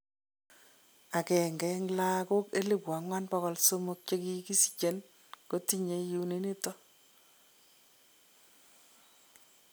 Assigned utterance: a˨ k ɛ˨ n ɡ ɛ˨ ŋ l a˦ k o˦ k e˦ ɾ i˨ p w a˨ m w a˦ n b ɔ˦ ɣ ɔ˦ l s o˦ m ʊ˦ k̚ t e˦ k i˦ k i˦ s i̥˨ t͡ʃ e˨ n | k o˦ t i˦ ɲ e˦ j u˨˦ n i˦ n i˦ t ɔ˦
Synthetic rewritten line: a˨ k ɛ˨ ŋ ɡ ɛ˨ ŋ l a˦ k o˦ k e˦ l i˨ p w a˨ ŋ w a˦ n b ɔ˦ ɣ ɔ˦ l s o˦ m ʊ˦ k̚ t͡ʃ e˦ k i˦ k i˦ s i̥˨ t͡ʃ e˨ n | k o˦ t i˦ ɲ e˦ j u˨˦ n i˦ n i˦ t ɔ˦